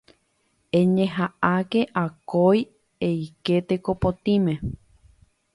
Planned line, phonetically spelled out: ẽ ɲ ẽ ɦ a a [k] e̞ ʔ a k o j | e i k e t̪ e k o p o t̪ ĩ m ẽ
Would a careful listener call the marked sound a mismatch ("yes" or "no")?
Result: no